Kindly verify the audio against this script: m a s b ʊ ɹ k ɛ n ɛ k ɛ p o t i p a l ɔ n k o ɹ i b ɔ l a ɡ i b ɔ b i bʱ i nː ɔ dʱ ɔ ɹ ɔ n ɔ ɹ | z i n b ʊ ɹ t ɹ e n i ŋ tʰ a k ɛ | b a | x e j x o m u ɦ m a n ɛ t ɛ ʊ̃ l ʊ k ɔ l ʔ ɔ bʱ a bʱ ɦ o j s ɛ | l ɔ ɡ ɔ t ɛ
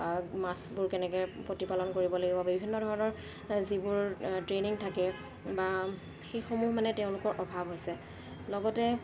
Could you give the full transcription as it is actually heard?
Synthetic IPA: m a s b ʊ ɹ k ɛ n ɛ k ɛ p o t i p a l ɔ n k o ɹ i b ɔ l a ɡ i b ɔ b i bʱ i nː ɔ dʱ ɔ ɹ ɔ n ɔ ɹ | z i b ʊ ɹ t ɹ e n i ŋ tʰ a k ɛ | b a | x e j x o m u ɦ m a n ɛ t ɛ ʊ̃ l ʊ k ɔ ɹ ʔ ɔ bʱ a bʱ ɦ o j s ɛ | l ɔ ɡ ɔ t ɛ

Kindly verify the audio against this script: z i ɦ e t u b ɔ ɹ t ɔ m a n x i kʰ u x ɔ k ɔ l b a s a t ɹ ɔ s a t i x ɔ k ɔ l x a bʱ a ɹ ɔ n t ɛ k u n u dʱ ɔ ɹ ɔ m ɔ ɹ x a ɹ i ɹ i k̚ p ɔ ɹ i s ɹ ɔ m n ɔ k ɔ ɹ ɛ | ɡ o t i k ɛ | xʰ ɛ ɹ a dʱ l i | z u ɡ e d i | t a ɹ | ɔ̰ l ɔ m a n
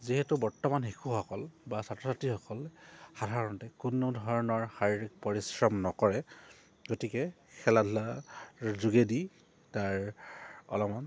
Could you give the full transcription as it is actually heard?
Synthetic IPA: z i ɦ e t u b ɔ ɹ t ɔ m a n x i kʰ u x ɔ k ɔ l b a s a t ɹ ɔ s a t i x ɔ k ɔ l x a dʱ a ɹ ɔ n t ɛ k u n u dʱ ɔ ɹ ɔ n ɔ ɹ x a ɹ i ɹ i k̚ p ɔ ɹ i s ɹ ɔ m n ɔ k ɔ ɹ ɛ | ɡ o t i k ɛ | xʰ ɛ l a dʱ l a | z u ɡ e d i | t a ɹ | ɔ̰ l ɔ m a n

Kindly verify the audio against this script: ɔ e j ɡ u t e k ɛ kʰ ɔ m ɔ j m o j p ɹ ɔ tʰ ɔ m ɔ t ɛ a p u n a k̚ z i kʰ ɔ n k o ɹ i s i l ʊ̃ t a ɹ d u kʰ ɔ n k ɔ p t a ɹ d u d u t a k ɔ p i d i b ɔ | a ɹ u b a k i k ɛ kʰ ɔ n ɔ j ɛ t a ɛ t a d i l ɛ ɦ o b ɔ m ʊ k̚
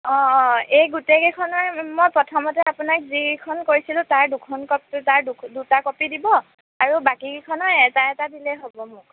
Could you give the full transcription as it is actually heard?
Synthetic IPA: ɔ e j ɡ u t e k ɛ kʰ ɔ n ɔ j m o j p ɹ ɔ tʰ ɔ m ɔ t ɛ a p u n a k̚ z i kʰ ɔ n k o ɹ i s i l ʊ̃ t a ɹ d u kʰ ɔ n k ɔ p t a ɹ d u d u t a k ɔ p i d i b ɔ | a ɹ u b a k i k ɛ kʰ ɔ n ɔ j ɛ t a ɛ t a d i l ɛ ɦ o b ɔ m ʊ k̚

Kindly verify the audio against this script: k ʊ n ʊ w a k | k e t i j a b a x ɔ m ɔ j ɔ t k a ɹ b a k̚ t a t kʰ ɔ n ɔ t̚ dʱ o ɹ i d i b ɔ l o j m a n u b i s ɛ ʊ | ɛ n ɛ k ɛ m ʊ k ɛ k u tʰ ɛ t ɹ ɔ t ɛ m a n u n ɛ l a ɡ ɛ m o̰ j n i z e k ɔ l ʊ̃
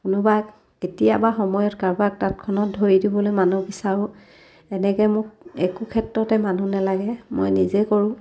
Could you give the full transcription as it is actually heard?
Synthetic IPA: k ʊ n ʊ b a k | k e t i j a b a x ɔ m ɔ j ɔ t k a ɹ b a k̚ t a t kʰ ɔ n ɔ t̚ dʱ o ɹ i d i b ɔ l o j m a n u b i s a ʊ | ɛ n ɛ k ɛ m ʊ k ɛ k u kʰ ɛ t ɹ ɔ t ɛ m a n u n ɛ l a ɡ ɛ m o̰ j n i z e k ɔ ɹ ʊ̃

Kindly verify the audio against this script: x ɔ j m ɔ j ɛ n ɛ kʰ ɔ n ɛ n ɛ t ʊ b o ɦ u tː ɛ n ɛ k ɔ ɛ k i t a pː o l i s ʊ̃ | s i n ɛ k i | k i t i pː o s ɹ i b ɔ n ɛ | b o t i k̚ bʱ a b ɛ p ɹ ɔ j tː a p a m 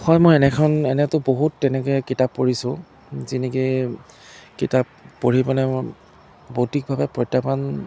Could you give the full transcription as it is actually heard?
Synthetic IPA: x ɔ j m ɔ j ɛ n ɛ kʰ ɔ n ɛ n ɛ t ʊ b o ɦ u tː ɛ n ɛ k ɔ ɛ k i t a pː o ɹ i s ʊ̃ | z i n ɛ k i | k i t a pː o ɹ i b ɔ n ɛ | b o t i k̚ bʱ a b ɛ p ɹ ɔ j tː a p a n

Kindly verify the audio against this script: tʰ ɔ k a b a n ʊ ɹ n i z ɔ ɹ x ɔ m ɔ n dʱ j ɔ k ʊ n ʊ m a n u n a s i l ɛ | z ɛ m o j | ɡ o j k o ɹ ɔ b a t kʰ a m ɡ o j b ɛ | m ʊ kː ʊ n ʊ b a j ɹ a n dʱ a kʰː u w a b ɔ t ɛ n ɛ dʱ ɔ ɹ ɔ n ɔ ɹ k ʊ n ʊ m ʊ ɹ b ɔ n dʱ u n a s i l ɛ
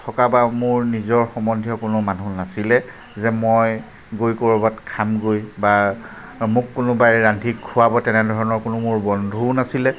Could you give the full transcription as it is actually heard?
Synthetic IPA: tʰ ɔ k a b a m ʊ ɹ n i z ɔ ɹ x ɔ m ɔ n dʱ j ɔ k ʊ n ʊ m a n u n a s i l ɛ | z ɛ m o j | ɡ o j k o ɹ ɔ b a t kʰ a m ɡ o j b a | m ʊ kː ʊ n ʊ b a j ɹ a n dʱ i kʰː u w a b ɔ t ɛ n ɛ dʱ ɔ ɹ ɔ n ɔ ɹ k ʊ n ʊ m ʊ ɹ b ɔ n dʱ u n a s i l ɛ

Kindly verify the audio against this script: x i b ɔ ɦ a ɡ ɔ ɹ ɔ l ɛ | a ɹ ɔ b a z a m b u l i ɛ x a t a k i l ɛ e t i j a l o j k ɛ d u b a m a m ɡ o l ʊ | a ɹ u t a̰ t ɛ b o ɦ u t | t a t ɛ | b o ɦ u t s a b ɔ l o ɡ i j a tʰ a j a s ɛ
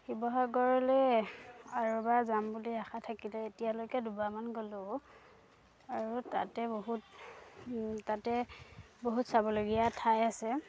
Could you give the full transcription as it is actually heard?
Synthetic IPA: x i b ɔ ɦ a ɡ ɔ ɹ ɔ l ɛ | a ɹ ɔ b a z a m b u l i a x a tʰ a k i l ɛ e t i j a l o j k ɛ d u b a m a n ɡ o l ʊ | a ɹ u t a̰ t ɛ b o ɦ u t | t a t ɛ | b o ɦ u t s a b ɔ l o ɡ i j a tʰ a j a s ɛ

